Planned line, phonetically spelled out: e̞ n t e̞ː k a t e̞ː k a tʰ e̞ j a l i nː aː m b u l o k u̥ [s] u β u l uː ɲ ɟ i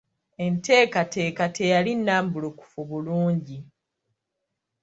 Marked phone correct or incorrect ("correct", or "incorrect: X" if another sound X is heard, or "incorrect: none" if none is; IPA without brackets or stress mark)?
incorrect: f